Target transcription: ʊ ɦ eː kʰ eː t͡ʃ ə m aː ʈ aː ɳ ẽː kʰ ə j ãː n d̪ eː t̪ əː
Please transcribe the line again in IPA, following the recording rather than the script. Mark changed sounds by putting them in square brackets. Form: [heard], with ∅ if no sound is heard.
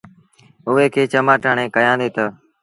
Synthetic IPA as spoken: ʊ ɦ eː kʰ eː t͡ʃ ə m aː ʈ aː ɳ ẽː [k] ə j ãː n d̪ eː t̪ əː

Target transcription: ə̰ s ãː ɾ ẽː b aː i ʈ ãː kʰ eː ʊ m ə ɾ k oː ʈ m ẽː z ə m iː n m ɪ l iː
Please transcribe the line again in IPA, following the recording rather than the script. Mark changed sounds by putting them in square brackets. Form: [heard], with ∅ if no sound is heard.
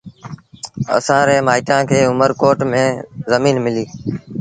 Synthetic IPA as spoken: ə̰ s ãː ɾ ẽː [m] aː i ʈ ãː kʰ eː ʊ m ə ɾ k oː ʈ m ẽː z ə m iː n m ɪ l iː

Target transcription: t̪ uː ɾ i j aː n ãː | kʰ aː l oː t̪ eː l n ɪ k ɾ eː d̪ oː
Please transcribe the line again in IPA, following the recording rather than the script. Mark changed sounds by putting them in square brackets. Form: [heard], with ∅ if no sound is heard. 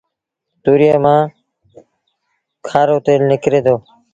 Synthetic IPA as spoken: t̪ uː ɾ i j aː [m] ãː | kʰ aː [ɾ] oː t̪ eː l n ɪ k ɾ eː d̪ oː

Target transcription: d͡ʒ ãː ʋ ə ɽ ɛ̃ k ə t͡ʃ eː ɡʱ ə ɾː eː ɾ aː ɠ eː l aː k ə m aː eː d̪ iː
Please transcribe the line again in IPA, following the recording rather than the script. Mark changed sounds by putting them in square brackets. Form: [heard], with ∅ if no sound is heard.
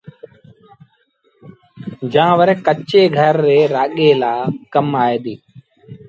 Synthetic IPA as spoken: d͡ʒ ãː ʋ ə [ɾ] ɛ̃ k ə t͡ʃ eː ɡʱ ə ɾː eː ɾ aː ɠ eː l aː k ə m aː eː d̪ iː

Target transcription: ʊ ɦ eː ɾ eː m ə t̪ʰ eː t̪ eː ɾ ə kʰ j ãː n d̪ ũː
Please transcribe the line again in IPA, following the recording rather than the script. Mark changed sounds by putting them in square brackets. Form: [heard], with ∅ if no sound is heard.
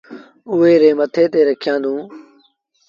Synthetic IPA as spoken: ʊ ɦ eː ɾ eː m ə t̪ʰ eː t̪ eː ɾ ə kʰ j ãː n d̪ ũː

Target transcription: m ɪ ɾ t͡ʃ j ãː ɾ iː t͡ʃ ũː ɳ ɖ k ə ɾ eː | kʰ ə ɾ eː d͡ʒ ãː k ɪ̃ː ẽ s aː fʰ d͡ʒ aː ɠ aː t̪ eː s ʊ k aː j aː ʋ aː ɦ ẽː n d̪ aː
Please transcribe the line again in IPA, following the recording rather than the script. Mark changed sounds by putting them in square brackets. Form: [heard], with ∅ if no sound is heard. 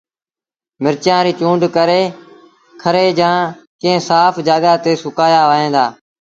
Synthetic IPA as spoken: m ɪ ɾ t͡ʃ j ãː ɾ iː t͡ʃ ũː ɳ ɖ k ə ɾ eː | kʰ ə ɾ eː d͡ʒ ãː k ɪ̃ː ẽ s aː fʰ d͡ʒ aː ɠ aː t̪ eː s ʊ k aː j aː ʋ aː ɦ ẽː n d̪ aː

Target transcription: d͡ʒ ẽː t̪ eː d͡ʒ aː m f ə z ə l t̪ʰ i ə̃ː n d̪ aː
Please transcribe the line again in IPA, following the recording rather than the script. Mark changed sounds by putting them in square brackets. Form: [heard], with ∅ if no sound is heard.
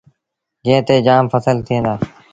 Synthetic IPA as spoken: d͡ʒ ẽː t̪ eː d͡ʒ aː m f ə [s] ə l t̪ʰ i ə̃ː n d̪ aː

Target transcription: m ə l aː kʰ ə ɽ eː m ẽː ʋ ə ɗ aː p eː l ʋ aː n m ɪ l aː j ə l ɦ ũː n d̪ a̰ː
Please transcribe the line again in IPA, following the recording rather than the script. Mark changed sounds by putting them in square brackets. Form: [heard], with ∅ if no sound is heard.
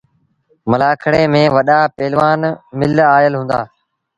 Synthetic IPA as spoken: m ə l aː kʰ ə ɽ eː m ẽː ʋ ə ɗ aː p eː l ʋ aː n m ɪ l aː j ə l ɦ ũː n d̪ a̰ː

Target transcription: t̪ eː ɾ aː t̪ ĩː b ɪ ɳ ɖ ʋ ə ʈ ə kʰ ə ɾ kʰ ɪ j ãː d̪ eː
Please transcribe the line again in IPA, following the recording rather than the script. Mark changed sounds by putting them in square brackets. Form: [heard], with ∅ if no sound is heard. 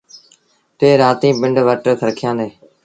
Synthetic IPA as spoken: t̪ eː ɾ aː t̪ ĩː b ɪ ɳ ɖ ʋ ə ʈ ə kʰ ə ɾ kʰ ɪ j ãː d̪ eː

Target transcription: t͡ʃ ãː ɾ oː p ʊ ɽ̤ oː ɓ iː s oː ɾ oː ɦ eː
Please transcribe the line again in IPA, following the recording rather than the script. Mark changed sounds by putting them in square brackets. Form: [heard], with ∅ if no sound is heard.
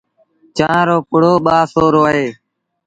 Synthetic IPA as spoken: t͡ʃ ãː ɾ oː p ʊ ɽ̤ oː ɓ [aː] s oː ɾ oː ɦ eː

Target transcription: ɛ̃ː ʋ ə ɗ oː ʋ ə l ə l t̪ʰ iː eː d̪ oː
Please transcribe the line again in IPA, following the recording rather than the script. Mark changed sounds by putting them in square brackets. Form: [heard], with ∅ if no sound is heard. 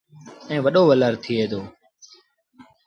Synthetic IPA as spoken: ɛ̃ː ʋ ə ɗ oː ʋ ə l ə [ɾ] t̪ʰ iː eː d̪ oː

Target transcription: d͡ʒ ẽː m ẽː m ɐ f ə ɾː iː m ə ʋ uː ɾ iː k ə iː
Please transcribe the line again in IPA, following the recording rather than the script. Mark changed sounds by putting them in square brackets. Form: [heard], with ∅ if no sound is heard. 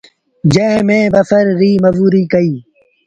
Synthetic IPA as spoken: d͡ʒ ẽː m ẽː [b] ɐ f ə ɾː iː m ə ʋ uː ɾ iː k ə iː

